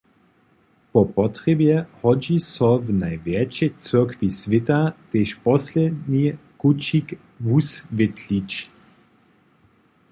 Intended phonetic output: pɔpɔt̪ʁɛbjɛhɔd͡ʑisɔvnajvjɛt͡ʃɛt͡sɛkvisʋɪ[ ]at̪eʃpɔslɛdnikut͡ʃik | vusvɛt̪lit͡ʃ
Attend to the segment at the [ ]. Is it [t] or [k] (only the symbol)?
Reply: t